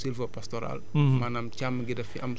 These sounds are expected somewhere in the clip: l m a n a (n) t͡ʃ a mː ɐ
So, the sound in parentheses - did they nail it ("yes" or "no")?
no